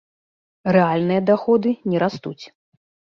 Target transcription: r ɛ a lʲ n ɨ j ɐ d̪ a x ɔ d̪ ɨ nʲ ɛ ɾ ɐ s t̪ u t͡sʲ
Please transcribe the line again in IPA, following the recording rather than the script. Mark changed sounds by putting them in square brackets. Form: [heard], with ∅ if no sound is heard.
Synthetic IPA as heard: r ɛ a lʲ n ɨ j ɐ d̪ a x ɔ d̪ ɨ nʲ ɛ ɾ [a] s t̪ u t͡sʲ